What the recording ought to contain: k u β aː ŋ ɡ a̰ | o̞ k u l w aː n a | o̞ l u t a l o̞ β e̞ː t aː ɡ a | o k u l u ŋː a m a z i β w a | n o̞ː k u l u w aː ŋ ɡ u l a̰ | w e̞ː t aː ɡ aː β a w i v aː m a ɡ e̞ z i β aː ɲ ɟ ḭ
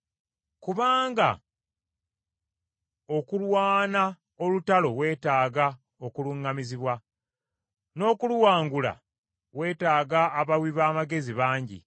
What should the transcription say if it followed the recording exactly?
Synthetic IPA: k u β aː ŋ ɡ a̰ | o̞ k u l w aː n a | o̞ l u t a l o̞ w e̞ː t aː ɡ a | o k u l u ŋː a m i z i β w a | n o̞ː k u l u w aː ŋ ɡ u l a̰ | w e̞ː t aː ɡ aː β a w i β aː m a ɡ e̞ z i β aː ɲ ɟ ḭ